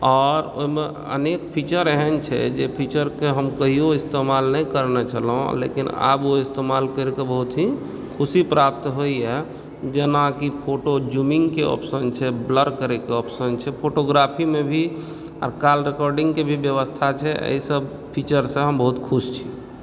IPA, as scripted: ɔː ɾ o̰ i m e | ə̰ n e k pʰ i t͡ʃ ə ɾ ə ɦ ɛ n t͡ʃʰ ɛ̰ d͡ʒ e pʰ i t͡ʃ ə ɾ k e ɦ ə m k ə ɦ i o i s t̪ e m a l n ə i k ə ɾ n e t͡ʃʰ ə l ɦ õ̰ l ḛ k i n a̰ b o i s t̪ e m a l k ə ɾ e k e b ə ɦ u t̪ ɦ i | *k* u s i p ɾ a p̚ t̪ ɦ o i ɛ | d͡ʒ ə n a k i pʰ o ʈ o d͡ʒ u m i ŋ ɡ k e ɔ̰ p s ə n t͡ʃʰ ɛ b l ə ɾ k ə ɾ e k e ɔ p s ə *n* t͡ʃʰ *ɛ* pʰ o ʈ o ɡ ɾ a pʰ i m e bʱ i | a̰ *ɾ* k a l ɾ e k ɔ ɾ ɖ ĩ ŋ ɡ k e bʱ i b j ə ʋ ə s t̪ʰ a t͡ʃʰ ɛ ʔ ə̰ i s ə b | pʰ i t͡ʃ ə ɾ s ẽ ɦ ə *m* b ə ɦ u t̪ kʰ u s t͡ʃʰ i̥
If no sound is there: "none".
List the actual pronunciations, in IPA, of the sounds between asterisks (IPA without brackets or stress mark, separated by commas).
kʰ, n, ɛ, ɾ, m